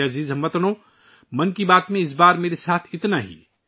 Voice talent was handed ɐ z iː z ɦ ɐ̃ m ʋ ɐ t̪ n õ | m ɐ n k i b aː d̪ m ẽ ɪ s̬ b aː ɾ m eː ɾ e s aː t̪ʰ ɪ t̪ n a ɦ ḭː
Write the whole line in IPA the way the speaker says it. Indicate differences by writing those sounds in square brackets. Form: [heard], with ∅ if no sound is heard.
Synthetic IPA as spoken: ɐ z iː z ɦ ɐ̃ m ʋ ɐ t̪ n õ | m ɐ n k i b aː [t̪] m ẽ ɪ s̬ b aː ɾ m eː ɾ e s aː t̪ʰ ɪ t̪ n a ɦ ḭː